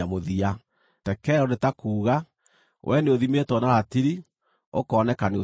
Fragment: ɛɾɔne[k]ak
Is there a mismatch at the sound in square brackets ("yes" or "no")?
yes